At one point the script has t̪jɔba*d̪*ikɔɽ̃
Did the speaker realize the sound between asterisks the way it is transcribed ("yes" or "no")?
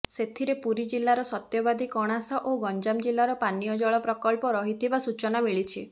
yes